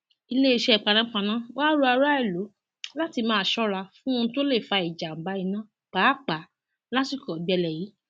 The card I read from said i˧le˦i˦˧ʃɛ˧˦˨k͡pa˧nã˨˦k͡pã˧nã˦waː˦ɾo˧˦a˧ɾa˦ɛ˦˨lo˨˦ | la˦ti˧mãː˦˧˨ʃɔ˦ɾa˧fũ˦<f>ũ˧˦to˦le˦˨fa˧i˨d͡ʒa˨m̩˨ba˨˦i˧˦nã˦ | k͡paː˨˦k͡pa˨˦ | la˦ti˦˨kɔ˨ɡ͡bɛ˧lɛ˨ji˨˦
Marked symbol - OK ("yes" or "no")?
no